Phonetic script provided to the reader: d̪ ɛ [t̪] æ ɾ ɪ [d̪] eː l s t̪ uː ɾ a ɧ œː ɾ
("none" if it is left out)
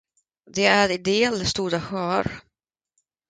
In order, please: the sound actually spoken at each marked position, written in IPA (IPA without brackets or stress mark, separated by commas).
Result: none, d̪